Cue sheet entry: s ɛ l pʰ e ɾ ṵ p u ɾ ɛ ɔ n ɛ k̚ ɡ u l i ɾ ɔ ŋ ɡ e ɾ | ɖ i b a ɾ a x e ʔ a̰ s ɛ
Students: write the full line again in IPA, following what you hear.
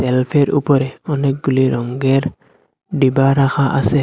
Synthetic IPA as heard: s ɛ l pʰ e ɾ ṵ p ɔ ɾ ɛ ɔ n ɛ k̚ ɡ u l i ɾ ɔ ŋ ɡ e ɾ | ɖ i b a ɾ a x a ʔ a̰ s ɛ